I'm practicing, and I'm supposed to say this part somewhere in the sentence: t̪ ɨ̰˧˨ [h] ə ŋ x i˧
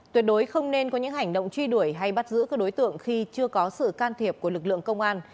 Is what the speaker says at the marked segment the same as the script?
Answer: no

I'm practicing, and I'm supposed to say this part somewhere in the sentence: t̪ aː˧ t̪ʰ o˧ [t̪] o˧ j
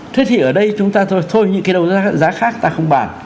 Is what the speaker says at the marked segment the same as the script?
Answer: no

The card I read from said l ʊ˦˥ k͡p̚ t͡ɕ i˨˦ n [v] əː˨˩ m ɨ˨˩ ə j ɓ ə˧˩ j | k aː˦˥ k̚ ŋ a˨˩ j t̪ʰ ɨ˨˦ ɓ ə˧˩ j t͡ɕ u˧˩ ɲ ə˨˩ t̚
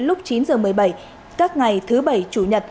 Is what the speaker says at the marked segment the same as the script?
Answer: no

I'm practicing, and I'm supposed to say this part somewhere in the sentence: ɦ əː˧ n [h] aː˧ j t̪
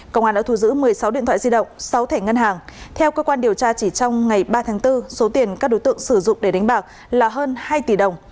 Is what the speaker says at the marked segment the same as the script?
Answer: yes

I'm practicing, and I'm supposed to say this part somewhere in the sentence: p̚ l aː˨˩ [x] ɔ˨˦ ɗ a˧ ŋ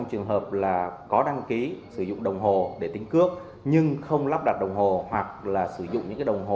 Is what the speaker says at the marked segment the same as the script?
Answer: no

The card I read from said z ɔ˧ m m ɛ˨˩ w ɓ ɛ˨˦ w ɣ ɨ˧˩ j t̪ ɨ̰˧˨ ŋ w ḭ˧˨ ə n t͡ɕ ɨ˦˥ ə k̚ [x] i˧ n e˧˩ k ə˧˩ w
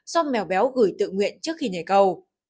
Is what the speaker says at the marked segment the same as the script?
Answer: yes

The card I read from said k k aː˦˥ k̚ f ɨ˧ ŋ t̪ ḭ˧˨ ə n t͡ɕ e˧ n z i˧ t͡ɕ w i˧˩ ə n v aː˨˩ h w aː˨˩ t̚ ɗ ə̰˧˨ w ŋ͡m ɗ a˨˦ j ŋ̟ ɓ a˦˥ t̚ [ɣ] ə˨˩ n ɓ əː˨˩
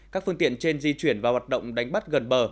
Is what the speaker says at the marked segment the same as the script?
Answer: yes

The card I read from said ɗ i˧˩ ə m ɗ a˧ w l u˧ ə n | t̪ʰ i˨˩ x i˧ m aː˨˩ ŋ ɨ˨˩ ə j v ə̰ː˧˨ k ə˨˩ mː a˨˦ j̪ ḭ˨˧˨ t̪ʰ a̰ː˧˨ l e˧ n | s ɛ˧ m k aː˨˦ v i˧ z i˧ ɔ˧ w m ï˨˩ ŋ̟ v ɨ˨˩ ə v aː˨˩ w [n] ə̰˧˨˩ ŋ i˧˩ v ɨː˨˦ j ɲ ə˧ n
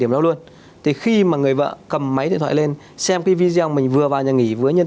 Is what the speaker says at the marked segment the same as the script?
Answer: no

